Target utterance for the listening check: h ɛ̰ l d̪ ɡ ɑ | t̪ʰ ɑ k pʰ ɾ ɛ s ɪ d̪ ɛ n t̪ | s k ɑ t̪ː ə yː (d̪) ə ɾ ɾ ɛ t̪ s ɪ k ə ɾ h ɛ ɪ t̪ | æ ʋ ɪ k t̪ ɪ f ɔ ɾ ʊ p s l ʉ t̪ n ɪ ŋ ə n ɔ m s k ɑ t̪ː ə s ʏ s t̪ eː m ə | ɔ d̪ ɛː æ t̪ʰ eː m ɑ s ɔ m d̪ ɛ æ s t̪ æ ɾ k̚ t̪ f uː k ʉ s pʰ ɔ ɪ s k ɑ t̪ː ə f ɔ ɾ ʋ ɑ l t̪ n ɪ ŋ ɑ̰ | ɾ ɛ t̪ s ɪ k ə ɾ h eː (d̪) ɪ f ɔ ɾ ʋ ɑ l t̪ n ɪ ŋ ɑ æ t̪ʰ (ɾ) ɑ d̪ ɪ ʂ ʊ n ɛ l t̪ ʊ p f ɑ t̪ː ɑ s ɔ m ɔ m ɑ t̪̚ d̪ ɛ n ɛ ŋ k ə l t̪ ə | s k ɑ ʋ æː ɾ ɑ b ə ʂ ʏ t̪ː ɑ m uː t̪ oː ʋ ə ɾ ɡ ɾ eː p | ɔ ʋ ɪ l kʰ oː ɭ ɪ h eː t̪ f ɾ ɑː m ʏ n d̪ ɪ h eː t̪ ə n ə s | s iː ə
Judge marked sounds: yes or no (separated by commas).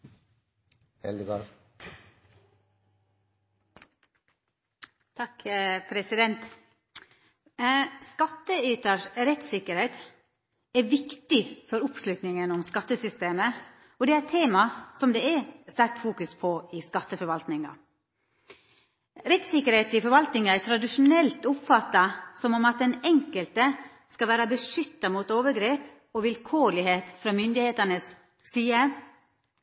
no, no, yes